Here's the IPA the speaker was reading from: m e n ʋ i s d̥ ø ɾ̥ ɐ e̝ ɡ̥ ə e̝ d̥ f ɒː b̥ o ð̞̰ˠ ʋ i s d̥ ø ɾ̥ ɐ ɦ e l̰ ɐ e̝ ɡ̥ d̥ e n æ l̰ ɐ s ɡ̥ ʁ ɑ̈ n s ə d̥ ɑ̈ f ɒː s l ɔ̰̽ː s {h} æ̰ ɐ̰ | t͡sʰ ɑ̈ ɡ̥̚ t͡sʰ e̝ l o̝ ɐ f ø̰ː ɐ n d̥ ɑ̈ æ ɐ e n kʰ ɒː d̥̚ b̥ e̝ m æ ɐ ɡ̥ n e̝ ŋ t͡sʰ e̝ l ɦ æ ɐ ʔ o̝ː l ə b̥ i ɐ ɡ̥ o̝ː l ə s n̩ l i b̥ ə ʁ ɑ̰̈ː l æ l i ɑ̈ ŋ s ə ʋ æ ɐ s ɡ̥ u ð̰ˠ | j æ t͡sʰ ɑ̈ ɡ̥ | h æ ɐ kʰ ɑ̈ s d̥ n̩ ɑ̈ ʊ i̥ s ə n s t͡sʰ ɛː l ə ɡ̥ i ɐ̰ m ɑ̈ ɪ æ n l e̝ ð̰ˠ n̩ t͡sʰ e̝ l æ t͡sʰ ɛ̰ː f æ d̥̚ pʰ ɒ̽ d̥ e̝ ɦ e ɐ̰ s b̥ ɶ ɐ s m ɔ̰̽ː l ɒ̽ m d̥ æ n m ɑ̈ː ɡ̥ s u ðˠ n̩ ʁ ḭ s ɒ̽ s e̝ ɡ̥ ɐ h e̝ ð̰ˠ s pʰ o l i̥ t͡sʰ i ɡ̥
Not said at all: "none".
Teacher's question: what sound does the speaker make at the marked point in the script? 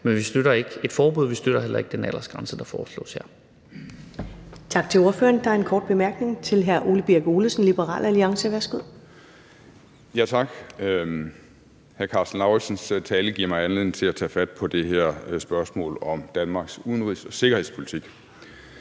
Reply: h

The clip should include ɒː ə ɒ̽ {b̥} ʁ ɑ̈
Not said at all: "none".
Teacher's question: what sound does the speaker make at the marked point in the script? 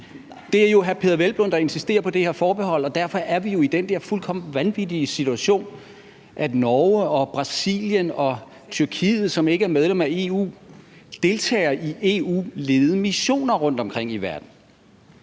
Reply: b̥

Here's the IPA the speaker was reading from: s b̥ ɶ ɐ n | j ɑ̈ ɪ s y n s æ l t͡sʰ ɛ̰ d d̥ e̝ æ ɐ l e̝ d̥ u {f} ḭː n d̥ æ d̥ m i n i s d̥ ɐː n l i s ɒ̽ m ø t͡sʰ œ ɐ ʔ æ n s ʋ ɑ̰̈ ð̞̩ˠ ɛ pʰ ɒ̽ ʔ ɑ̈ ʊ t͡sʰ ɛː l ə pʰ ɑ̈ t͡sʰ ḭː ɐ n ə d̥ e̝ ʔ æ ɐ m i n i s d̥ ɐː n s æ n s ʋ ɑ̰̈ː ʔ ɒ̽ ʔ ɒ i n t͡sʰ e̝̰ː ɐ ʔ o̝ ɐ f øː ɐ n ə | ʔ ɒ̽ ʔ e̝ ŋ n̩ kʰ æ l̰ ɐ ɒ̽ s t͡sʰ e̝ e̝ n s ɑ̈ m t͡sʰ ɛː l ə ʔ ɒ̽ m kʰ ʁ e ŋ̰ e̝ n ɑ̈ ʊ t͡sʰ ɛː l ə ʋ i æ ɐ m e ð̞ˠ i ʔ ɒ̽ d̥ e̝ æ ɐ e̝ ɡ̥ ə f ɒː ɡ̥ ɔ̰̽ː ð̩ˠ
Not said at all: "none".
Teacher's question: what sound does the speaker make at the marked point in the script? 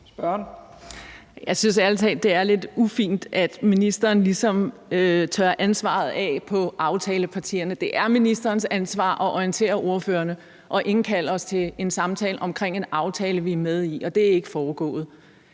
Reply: f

